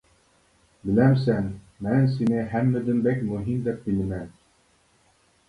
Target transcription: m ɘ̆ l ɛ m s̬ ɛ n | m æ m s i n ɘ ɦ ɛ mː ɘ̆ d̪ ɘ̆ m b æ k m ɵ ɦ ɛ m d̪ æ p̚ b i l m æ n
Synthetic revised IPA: b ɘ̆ l æ m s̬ æ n | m æ n s i n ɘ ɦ æ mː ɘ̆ d̪ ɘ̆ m b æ k m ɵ ɦ i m d̪ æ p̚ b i l m æ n